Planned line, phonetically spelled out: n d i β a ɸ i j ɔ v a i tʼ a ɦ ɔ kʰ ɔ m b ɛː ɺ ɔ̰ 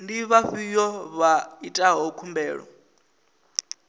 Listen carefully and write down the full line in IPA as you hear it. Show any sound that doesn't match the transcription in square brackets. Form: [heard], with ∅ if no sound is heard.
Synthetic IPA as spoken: n d i β a ɸ i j ɔ [β] a i tʼ a ɦ ɔ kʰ [u] m b ɛː ɺ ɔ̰